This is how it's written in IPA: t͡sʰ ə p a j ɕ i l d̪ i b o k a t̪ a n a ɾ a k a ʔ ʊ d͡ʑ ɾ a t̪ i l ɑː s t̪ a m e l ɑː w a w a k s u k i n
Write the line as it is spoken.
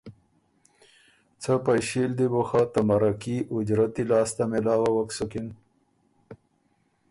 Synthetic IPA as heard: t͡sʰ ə p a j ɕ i l d̪ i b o x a t̪ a m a ɾ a k i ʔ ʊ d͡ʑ ɾ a t̪ i l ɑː s t̪ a m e l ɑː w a w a k s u k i n